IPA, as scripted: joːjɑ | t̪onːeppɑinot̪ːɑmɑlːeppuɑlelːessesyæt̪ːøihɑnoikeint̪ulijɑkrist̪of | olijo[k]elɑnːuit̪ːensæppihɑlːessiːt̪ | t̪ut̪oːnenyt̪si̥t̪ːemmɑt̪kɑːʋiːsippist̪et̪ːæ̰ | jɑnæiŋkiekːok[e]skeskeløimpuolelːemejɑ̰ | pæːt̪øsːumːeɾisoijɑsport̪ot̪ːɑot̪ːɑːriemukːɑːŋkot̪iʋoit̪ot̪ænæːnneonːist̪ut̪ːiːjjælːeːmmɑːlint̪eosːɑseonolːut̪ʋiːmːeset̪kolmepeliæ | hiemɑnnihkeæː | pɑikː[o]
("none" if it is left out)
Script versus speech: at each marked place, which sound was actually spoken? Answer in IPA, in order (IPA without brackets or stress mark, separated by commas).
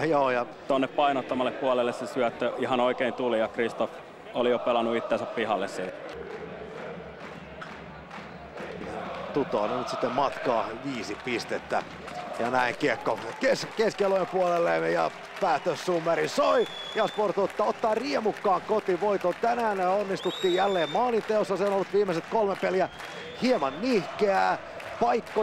p, e, o